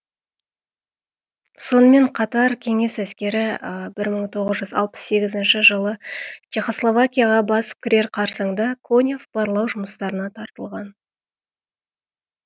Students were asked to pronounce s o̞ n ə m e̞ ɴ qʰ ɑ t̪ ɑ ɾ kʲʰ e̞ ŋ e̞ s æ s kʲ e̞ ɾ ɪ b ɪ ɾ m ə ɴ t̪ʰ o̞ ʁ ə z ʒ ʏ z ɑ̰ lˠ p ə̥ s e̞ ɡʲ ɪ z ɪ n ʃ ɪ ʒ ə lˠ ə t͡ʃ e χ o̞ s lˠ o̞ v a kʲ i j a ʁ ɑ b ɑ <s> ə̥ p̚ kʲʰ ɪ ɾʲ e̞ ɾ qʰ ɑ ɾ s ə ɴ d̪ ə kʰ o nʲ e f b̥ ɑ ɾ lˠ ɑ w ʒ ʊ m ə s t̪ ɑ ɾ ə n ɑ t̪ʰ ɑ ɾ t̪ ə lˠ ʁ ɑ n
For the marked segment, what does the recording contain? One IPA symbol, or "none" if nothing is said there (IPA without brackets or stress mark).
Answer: s